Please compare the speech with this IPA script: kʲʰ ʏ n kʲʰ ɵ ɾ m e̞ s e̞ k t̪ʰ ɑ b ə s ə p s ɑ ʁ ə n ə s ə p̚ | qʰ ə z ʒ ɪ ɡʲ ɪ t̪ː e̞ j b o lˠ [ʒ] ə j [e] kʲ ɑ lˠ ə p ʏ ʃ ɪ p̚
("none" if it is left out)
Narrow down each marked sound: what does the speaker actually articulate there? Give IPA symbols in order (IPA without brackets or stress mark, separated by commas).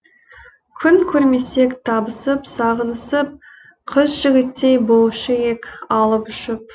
ʃ, e